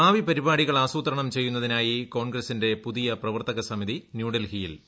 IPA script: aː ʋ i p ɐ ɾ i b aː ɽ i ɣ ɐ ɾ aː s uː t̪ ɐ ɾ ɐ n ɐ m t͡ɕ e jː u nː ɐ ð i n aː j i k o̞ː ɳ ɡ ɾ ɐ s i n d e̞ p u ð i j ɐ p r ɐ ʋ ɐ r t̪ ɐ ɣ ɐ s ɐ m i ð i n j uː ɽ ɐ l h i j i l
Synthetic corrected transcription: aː ʋ i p ɐ ɾ i b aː ɽ i ɣ ɐ ɭ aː s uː t̪ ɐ ɾ ɐ ɳ ɐ m t͡ɕ e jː u nː ɐ ð i n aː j i k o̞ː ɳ ɡ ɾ ɐ s i n d e̞ p u ð i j ɐ p r ɐ ʋ ɐ r t̪ ɐ ɣ ɐ s ɐ m i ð i n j uː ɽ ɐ l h i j i l

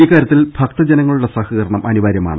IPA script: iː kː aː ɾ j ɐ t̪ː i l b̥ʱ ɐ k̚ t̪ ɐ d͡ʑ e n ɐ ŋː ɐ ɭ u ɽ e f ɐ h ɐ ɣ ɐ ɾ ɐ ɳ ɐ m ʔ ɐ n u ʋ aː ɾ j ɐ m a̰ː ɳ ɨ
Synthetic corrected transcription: iː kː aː ɾ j ɐ t̪ː i l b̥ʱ ɐ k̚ t̪ ɐ d͡ʑ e n ɐ ŋː ɐ ɭ u ɽ e s ɐ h ɐ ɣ ɐ ɾ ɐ ɳ ɐ m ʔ ɐ n u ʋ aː ɾ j ɐ m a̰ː ɳ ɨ

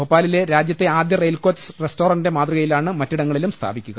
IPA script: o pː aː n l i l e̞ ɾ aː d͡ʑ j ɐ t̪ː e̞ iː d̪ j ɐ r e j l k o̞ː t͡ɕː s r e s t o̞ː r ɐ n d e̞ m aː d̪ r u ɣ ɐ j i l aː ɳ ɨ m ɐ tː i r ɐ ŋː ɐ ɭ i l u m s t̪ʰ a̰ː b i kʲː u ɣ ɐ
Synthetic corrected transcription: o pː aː l i l e̞ ɾ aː d͡ʑ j ɐ t̪ː e̞ aː d̪ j ɐ r e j l k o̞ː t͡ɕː s r e s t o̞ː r ɐ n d e̞ m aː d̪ r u ɣ ɐ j i l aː ɳ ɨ m ɐ tː i ɽ ɐ ŋː ɐ ɭ i l u m s t̪ʰ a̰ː b i kʲː u ɣ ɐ

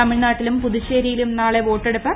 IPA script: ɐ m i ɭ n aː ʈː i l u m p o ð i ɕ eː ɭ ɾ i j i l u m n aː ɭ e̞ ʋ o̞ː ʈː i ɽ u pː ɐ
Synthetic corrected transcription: ɐ m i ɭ n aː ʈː i l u m p u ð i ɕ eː ɾ i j i l u m n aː ɭ e̞ ʋ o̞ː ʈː e ɽ u pː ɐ

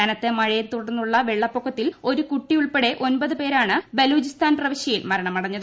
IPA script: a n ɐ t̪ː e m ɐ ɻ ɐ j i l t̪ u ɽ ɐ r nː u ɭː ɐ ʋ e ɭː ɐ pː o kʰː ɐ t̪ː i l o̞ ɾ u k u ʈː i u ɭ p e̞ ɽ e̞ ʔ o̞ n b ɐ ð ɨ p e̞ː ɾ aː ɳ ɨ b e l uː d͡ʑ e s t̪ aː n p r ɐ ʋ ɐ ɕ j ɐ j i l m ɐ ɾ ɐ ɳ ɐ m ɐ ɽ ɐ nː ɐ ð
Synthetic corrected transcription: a n ɐ t̪ː e m ɐ ɻ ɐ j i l t̪ u ɽ ɐ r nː u ɭː ɐ ʋ e ɭː ɐ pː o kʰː ɐ t̪ː i l o̞ ɾ u k u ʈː i u ɭ p e̞ ɽ e̞ ʔ o̞ n b ɐ ð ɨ p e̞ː ɾ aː ɳ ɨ b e l uː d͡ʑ i s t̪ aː n p r ɐ ʋ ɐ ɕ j ɐ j i l m ɐ ɾ ɐ ɳ ɐ m ɐ ɽ ɐ ɲː ɐ ð

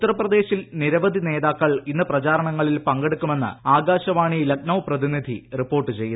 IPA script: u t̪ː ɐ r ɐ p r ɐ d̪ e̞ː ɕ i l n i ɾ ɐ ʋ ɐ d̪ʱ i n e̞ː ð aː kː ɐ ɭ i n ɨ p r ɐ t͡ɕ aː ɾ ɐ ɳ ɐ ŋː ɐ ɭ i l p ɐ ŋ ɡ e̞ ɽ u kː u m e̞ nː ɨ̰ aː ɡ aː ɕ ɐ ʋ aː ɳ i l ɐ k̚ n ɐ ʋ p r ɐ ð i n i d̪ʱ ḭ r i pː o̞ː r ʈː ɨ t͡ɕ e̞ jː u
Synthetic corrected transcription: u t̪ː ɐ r ɐ p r ɐ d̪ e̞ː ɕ i l n i ɾ ɐ ʋ ɐ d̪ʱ i n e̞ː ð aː kː ɐ ɭ i nː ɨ p r ɐ t͡ɕ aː ɾ ɐ ɳ ɐ ŋː ɐ ɭ i l p ɐ ŋ ɡ e̞ ɽ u kː u m e̞ nː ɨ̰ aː ɡ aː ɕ ɐ ʋ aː ɳ i l ɐ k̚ n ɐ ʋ p r ɐ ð i n i d̪ʱ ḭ r i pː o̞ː r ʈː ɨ t͡ɕ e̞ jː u

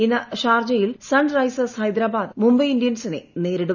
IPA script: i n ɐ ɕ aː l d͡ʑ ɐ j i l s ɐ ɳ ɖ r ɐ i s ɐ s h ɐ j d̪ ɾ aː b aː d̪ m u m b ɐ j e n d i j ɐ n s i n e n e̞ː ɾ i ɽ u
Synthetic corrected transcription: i n ɐ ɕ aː r d͡ʑ ɐ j i l s ɐ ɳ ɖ r ɐ j s ɐ s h ɐ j d̪ ɾ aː b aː d̪ m u m b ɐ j i n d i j ɐ n s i n e n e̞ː ɾ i ɽ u

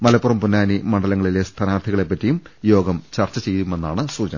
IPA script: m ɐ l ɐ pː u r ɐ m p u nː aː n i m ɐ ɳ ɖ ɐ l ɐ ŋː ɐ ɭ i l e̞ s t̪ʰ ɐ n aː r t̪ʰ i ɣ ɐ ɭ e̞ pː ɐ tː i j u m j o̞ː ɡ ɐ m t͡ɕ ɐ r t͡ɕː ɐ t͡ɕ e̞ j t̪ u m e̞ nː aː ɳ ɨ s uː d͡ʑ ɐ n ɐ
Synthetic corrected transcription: m ɐ l ɐ pː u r ɐ m p u nː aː n i m ɐ ɳ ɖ ɐ l ɐ ŋː ɐ ɭ i l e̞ s t̪ʰ ɐ n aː r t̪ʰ i ɣ ɐ ɭ e̞ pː ɐ tː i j u m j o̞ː ɡ ɐ m t͡ɕ ɐ r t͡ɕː ɐ t͡ɕ e̞ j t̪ u m e̞ nː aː ɳ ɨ s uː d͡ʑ ɐ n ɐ

